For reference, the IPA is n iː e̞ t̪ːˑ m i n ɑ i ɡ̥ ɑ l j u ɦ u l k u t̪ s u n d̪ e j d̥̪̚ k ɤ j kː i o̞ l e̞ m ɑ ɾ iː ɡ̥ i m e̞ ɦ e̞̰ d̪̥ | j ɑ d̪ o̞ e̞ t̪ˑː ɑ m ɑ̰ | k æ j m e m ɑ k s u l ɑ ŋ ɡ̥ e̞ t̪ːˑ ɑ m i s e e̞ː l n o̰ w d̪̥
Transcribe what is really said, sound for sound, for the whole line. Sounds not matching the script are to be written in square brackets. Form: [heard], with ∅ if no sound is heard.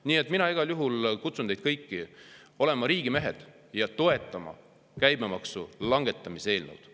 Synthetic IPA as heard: n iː e̞ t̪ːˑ m i n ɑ i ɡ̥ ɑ l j u ɦ u l k u t̪ s u n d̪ e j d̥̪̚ k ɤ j kː i o̞ l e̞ m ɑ ɾ iː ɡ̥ i m e̞ ɦ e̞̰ d̪̥ | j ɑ [t̪] o̞ e̞ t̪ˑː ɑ m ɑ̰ | k æ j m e m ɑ k s u l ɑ ŋ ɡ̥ e̞ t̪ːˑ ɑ m i s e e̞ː l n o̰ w d̪̥